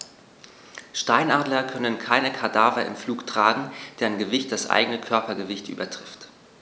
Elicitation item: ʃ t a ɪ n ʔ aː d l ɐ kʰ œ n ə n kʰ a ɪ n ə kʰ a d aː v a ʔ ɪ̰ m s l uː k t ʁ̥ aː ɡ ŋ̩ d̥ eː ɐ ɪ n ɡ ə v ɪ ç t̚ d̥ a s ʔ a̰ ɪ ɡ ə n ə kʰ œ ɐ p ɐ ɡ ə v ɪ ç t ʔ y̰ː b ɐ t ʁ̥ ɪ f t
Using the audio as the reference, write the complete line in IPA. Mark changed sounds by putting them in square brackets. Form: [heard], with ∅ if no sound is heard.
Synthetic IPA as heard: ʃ t a ɪ n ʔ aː d l ɐ kʰ œ n ə n kʰ a ɪ n ə kʰ a d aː v [ɐ] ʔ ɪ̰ m [f] l uː k t ʁ̥ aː ɡ ŋ̩ d̥ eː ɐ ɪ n ɡ ə v ɪ ç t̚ d̥ a s ʔ a̰ ɪ ɡ ə n ə kʰ œ ɐ p ɐ ɡ ə v ɪ ç t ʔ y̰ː b ɐ t ʁ̥ ɪ f t

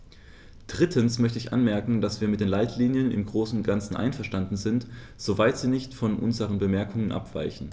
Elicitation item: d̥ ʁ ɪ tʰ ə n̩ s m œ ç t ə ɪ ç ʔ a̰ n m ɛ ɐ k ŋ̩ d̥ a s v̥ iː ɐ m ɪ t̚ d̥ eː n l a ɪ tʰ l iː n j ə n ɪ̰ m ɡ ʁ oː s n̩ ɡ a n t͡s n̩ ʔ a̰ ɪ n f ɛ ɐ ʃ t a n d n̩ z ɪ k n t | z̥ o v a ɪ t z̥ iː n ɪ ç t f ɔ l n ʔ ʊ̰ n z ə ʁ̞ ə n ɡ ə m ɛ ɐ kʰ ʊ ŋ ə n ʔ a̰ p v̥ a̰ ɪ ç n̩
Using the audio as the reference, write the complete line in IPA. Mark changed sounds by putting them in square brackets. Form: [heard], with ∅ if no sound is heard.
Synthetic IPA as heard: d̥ ʁ ɪ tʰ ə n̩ s m œ ç t ə ɪ ç ʔ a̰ n m ɛ ɐ k ŋ̩ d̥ a s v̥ iː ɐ m ɪ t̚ d̥ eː n l a ɪ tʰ l iː n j ə n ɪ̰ m ɡ ʁ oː s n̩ ɡ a n t͡s n̩ ʔ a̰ ɪ n f ɛ ɐ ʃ t a n d n̩ z ɪ [∅] n t | z̥ o v a ɪ t z̥ iː n ɪ ç t f ɔ [∅] n ʔ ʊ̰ n z ə ʁ̞ ə n [b] ə m ɛ ɐ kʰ ʊ ŋ ə n ʔ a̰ p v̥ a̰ ɪ ç n̩

